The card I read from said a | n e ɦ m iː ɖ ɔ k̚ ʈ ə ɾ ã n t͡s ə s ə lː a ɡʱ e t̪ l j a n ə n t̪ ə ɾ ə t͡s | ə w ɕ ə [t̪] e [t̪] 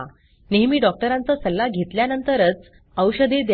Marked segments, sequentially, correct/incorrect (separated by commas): incorrect, incorrect